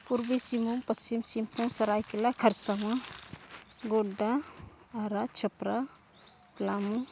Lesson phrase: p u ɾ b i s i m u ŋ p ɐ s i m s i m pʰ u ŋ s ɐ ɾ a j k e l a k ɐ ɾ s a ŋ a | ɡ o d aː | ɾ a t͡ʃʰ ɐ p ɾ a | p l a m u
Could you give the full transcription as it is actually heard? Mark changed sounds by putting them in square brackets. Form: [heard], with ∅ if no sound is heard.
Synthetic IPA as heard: p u ɾ b i s i m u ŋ p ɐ s i m s i m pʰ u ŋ s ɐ ɾ a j k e l a [kʰ] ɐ ɾ s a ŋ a | ɡ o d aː | ɾ a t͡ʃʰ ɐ p ɾ a | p l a m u